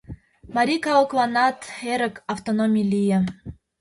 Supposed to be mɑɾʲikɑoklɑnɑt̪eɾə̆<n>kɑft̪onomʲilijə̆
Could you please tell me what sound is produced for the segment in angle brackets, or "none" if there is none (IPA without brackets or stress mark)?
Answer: none